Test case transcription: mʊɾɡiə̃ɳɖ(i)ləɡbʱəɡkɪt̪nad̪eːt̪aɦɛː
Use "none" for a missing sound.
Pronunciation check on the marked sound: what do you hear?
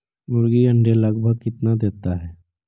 e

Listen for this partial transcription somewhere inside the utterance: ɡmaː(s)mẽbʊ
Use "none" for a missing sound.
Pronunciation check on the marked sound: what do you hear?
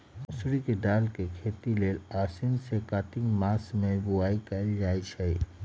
s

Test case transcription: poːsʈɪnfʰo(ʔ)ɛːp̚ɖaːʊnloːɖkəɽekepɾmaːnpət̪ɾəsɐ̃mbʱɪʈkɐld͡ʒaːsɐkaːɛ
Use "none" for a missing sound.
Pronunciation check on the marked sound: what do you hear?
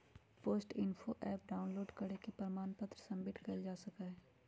ʔ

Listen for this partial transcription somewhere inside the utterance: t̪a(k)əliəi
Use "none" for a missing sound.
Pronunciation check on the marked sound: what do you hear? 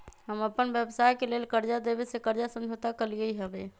k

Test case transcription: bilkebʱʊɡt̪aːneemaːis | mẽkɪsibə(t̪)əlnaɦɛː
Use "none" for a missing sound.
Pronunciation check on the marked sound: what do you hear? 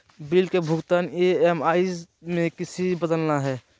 d̪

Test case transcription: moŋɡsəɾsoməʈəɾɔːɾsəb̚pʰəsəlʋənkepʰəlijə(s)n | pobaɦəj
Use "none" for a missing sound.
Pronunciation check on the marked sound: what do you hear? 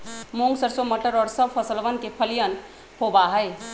none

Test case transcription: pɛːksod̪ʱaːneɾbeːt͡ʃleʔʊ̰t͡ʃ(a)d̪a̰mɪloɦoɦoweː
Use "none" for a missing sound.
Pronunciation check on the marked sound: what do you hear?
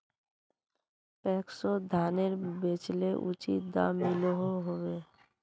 i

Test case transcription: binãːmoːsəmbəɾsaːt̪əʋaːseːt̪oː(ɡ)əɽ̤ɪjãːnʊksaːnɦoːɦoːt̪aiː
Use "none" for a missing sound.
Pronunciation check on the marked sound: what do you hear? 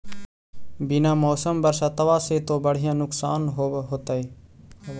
b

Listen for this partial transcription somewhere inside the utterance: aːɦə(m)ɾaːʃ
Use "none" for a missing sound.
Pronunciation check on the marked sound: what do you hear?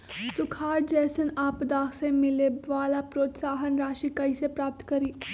n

